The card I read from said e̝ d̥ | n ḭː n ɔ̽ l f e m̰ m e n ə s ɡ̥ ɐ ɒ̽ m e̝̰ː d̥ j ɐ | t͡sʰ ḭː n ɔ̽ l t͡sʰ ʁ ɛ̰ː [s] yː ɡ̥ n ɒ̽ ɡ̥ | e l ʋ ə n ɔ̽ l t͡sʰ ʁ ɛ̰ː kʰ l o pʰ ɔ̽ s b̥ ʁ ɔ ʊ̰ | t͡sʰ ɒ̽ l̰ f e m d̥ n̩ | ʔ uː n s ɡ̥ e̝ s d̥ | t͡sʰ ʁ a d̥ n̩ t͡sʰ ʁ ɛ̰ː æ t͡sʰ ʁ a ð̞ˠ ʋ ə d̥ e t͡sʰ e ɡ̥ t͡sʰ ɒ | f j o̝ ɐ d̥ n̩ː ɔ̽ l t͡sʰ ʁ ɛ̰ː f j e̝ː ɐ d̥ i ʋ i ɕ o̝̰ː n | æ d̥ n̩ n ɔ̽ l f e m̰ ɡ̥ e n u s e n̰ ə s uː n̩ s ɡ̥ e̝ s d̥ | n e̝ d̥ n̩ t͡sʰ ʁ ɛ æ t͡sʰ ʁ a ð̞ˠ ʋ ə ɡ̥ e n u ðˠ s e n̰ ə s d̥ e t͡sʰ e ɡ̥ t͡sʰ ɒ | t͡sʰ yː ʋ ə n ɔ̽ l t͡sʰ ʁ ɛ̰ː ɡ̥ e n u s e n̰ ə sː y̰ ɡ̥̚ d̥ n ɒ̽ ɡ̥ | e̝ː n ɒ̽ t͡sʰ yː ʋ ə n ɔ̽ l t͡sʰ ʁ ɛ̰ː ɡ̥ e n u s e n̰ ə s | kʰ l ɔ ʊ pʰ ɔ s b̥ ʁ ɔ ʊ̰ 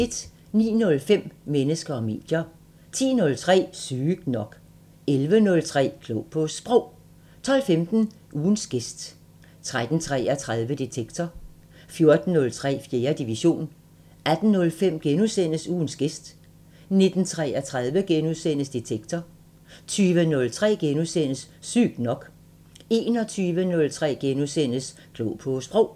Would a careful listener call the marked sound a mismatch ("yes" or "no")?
no